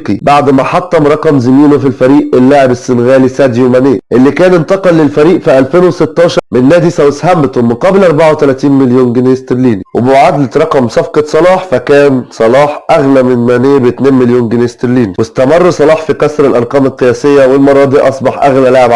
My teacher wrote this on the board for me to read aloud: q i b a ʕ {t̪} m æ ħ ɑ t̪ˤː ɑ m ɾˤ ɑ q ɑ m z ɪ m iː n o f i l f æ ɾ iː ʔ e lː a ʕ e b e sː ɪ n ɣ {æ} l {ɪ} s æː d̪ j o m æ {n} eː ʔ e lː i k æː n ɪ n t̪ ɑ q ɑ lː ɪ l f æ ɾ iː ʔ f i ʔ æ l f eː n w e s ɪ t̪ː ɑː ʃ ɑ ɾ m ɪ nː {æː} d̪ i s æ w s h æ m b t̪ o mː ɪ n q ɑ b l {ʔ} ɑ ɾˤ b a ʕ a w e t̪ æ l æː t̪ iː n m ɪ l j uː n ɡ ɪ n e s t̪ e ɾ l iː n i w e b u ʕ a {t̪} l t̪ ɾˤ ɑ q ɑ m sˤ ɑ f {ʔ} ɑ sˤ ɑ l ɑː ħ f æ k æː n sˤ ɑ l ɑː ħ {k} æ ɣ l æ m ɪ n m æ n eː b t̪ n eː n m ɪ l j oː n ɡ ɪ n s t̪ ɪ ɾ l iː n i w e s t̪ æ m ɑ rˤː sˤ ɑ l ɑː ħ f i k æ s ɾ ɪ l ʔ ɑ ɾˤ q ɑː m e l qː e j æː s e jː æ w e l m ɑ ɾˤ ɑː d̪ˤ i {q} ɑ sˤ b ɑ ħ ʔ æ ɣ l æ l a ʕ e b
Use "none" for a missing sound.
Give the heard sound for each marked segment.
d̪, æː, i, n, æː, ʔ, d̪, q, ʔ, ʔ

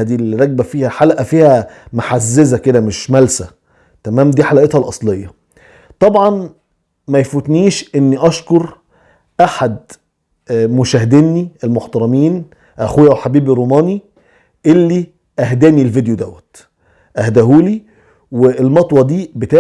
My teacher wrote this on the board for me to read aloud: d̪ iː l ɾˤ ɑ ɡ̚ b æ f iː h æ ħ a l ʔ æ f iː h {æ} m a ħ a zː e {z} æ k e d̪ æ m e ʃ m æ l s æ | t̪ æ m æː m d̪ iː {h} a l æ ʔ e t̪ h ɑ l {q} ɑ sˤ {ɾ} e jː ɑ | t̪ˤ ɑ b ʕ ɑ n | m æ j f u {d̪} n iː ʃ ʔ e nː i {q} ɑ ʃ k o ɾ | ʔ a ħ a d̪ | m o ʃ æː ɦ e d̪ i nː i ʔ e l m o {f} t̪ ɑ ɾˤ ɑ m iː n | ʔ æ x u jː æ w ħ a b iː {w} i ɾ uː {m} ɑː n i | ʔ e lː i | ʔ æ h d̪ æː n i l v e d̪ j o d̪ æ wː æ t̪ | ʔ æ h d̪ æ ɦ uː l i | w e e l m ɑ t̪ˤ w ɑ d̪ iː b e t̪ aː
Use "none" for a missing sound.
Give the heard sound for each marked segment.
æ, z, ħ, ʔ, l, t̪, ʔ, ħ, b, m

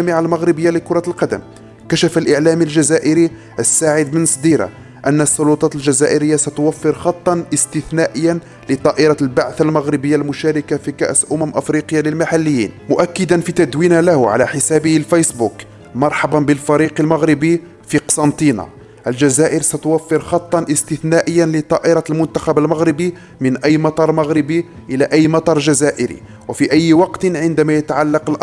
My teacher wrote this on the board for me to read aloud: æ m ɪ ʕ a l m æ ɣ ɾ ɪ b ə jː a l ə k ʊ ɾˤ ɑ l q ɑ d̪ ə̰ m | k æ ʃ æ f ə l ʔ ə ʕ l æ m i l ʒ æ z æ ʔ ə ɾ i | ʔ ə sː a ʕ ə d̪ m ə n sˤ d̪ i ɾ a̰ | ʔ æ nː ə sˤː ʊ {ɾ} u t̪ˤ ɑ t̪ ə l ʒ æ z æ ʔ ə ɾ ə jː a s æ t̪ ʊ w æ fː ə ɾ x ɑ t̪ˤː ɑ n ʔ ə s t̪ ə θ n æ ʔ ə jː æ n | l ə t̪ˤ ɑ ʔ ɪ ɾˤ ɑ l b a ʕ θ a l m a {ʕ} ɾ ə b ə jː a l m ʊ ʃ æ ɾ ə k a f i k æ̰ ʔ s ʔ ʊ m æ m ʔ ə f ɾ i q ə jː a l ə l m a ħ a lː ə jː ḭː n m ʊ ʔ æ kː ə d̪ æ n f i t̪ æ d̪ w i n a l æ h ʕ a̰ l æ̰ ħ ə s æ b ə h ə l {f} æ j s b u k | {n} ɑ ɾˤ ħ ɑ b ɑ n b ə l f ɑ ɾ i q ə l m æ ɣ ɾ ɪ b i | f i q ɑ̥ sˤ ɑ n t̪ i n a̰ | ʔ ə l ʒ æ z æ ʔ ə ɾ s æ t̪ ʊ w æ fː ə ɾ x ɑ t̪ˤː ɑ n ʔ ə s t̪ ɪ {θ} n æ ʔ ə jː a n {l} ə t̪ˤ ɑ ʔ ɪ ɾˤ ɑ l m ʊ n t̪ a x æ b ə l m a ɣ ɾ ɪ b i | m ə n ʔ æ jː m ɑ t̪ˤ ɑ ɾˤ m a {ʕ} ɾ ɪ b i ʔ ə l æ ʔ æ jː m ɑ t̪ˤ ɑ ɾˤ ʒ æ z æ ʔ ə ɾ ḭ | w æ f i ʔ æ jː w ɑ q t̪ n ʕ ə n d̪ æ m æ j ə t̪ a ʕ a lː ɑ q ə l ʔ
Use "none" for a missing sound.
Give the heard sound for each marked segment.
l, ɣ, f, m, θ, l, ɣ

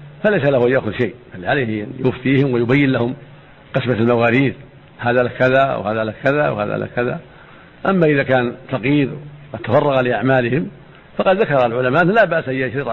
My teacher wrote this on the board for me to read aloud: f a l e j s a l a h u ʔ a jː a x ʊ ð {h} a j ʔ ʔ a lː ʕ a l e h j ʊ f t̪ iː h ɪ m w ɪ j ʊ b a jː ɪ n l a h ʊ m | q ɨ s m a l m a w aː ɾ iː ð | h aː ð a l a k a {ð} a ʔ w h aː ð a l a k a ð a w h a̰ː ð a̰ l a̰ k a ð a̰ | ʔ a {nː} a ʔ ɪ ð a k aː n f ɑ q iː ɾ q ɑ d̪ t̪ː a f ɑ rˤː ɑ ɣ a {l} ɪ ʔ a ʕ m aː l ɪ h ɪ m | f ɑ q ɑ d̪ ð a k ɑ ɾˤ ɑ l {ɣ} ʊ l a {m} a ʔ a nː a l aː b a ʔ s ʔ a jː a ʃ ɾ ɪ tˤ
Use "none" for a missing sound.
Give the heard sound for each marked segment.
ʃ, ð, mː, l, ʕ, m

